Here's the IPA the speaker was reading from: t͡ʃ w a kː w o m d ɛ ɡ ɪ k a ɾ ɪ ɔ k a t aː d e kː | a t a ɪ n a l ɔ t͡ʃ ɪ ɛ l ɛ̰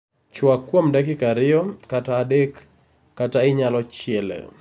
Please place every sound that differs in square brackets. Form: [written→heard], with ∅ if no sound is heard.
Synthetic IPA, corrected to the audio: t͡ʃ w a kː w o m d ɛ [ɡ→k] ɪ k a ɾ ɪ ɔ k a t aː d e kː | a t a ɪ [n→ɲ] a l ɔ t͡ʃ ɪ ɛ l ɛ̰